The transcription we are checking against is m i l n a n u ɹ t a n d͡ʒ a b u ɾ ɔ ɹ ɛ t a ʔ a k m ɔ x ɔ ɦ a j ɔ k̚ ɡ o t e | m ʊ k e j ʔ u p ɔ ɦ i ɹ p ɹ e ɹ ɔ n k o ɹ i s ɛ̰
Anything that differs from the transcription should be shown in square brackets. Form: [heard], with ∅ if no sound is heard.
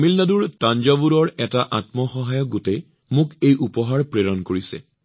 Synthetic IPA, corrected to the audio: m i l n a [d] u ɹ t a n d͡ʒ a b u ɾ ɔ ɹ ɛ t a ʔ a [t] m ɔ x ɔ ɦ a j ɔ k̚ ɡ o t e | m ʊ k e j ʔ u p ɔ ɦ [a] ɹ p ɹ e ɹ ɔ n k o ɹ i s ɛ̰